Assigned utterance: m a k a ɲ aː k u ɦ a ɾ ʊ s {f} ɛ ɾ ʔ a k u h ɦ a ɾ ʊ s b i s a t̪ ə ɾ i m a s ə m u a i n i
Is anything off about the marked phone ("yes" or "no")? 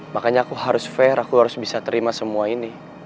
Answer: no